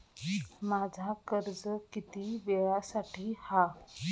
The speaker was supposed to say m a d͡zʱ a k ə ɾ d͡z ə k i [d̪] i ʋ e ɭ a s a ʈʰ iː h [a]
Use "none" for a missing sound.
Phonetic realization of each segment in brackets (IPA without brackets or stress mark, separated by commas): t̪, a